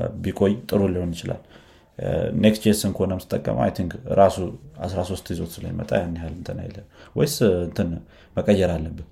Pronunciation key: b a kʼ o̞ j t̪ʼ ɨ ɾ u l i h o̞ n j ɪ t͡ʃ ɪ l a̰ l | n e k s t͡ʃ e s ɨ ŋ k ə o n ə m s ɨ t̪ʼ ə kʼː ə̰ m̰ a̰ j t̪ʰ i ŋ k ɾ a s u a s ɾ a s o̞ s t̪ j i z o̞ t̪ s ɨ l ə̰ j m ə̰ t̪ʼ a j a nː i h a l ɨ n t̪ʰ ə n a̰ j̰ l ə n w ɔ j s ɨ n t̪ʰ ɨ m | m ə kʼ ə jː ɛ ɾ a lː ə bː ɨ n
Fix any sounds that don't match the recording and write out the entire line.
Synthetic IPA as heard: b i kʼ o̞ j t̪ʼ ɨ ɾ u l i h o̞ n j ɪ t͡ʃ ɪ l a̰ l | n e k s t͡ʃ e s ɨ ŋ k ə o n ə m s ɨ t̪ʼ ə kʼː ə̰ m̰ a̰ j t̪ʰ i ŋ k ɾ a s u a s ɾ a s o̞ s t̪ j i z o̞ t̪ s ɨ l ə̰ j m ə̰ t̪ʼ a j a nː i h a l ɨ n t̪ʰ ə n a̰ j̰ l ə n w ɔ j s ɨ n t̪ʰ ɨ n | m ə kʼ ə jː ɛ ɾ a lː ə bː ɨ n